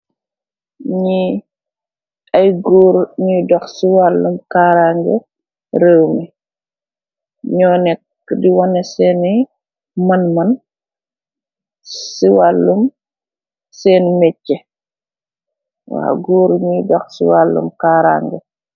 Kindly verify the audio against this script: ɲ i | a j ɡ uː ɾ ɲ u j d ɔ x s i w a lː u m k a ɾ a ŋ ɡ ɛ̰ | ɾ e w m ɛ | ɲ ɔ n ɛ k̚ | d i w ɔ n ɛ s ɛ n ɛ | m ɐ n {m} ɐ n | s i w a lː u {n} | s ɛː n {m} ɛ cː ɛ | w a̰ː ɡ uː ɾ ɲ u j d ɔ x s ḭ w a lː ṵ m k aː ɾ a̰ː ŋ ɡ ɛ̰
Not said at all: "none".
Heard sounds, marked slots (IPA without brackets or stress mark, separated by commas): m, m, m